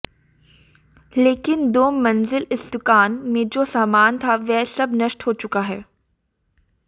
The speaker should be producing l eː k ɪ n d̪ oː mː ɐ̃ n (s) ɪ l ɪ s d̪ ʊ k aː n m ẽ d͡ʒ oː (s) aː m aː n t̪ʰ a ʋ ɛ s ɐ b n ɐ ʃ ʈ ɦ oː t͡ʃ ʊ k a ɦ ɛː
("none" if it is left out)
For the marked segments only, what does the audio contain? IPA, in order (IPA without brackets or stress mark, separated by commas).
z, s